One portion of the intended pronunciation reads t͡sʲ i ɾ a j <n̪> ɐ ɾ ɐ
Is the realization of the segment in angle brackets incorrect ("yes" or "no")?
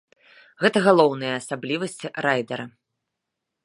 yes